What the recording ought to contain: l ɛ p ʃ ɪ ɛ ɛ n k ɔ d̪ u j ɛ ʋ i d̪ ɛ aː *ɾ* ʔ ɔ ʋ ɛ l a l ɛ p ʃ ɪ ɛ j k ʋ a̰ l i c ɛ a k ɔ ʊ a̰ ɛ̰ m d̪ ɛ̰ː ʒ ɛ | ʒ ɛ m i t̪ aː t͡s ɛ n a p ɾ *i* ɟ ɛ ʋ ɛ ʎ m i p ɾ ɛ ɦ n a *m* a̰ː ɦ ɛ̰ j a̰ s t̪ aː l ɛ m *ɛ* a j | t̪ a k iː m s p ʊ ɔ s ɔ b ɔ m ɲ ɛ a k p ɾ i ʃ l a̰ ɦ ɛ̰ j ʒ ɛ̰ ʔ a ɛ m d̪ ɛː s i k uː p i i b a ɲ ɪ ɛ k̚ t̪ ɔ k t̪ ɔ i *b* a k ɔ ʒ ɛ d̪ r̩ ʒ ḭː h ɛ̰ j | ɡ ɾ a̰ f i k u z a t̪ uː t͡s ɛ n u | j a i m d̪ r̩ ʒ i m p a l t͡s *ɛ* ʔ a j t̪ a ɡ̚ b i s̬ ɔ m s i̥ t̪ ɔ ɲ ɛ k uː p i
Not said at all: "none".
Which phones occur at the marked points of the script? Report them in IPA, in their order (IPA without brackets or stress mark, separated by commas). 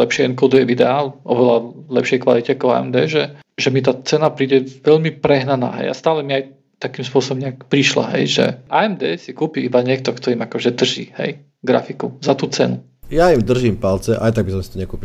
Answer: l, iː, n, i, m, ɛ